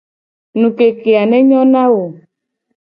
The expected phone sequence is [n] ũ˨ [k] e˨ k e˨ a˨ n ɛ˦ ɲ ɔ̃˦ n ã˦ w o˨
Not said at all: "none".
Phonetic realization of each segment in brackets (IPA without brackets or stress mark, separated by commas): n, k